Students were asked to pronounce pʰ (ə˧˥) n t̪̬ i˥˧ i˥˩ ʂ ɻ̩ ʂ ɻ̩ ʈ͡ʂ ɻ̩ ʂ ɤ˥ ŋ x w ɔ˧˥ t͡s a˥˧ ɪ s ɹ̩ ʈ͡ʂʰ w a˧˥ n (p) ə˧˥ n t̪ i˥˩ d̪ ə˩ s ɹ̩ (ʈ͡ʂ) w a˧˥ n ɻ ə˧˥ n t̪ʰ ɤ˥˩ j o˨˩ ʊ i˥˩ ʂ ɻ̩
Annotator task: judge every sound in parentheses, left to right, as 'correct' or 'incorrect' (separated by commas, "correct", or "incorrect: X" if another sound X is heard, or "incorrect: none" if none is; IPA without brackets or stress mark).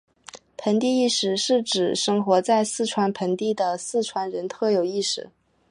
correct, incorrect: pʰ, incorrect: ʈ͡ʂʰ